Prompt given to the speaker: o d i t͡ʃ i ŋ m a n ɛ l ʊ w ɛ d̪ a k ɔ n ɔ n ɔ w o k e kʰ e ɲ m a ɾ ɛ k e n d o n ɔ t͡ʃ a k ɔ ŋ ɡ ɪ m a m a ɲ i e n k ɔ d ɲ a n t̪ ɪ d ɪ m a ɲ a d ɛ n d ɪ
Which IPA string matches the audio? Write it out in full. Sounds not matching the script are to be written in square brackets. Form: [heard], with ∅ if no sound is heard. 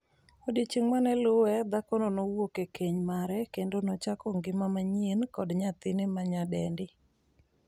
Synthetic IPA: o d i t͡ʃ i ŋ m a n ɛ l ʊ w ɛ d̪ a k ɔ n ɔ n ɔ w o k e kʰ e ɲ m a ɾ ɛ k e n d o n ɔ t͡ʃ a k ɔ ŋ ɡ ɪ m a m a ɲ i e n k ɔ d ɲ a [∅] t̪ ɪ [n] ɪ m a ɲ a d ɛ n d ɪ